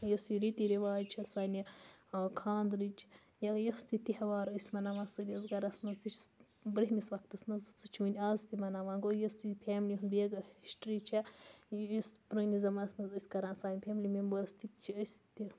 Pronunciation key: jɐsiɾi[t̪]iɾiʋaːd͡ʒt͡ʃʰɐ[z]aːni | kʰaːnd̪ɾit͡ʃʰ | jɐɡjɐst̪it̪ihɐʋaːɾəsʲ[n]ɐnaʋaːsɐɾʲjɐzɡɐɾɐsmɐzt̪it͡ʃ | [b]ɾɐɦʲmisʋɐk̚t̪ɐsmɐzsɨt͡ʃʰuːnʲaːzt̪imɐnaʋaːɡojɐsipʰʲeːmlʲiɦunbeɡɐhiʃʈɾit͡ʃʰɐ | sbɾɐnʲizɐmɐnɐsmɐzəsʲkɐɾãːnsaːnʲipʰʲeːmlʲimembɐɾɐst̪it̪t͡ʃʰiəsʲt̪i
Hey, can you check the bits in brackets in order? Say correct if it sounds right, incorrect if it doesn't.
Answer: correct, incorrect: s, incorrect: m, correct

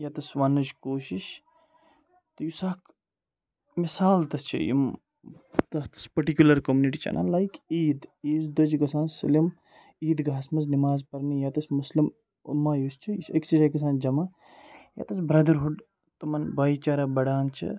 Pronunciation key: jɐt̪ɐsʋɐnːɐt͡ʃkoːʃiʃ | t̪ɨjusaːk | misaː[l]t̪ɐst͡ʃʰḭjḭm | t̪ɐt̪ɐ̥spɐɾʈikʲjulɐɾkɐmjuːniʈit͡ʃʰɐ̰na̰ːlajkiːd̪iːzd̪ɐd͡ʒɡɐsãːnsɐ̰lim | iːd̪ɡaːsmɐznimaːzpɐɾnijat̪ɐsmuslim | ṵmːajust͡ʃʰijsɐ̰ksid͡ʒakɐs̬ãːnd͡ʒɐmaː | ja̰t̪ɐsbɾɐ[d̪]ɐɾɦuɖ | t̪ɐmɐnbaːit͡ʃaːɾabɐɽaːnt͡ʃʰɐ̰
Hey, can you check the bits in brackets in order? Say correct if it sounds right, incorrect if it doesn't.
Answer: correct, correct

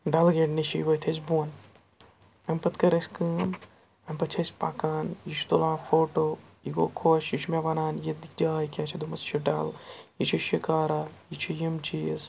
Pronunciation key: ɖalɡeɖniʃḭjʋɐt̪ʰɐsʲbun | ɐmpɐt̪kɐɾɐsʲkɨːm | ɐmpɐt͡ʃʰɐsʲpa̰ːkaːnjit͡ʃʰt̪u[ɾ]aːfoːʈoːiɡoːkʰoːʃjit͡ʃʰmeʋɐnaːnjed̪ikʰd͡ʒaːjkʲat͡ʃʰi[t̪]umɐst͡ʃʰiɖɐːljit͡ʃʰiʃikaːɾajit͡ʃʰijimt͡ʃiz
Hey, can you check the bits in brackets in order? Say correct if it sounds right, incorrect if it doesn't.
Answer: incorrect: l, incorrect: d̪

